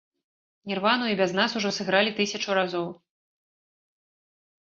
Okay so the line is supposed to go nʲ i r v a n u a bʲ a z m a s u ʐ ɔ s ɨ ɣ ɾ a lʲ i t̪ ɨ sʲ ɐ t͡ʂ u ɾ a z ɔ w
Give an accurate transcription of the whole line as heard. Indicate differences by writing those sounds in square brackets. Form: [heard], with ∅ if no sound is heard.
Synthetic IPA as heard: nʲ i r v a n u [i] bʲ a z [n] a s u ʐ ɔ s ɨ ɣ ɾ a lʲ i t̪ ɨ sʲ ɐ t͡ʂ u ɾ a z ɔ w